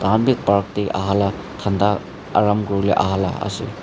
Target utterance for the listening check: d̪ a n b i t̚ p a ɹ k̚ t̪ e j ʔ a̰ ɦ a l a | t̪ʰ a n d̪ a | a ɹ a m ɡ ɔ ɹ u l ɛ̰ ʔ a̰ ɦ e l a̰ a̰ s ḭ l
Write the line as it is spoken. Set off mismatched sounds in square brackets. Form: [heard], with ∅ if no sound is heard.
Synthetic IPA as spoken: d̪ a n b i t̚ p a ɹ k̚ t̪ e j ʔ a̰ ɦ a l a | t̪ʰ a n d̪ a | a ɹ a m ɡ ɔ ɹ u l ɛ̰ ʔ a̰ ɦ [a] l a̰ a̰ s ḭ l